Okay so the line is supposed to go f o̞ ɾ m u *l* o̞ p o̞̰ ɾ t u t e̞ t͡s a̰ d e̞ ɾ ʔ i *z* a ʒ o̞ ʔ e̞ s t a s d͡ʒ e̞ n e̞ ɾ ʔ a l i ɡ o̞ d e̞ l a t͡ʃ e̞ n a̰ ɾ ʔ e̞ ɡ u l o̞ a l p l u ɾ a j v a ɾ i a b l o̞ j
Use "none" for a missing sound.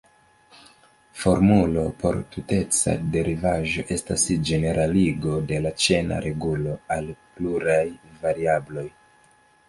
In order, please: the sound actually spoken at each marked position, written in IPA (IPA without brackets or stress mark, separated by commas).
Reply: l, v